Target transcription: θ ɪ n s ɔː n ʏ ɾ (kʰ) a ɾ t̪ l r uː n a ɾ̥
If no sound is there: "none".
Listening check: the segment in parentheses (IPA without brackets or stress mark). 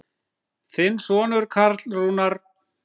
kʰ